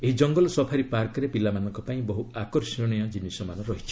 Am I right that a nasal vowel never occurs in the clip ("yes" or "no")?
no